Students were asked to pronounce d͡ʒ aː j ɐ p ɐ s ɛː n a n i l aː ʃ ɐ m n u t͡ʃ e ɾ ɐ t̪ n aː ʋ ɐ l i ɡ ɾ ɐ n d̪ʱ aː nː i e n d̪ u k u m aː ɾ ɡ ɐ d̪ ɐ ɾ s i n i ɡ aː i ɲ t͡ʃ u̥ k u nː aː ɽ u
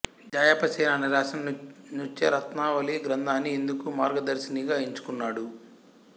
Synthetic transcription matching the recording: d͡ʒ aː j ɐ p ɐ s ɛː n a n i ɾ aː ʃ ɐ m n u t͡ʃ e ɾ ɐ t̪ n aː ʋ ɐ l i ɡ ɾ ɐ n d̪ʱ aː nː i e n d̪ u k u m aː ɾ ɡ ɐ d̪ ɐ ɾ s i n i ɡ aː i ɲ t͡ʃ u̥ k u nː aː ɽ u